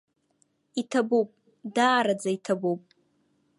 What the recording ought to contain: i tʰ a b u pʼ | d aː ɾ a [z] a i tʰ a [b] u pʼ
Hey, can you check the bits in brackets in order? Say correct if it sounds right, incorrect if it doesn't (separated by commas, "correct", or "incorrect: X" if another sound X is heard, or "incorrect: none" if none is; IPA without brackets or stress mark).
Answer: incorrect: d͡z, correct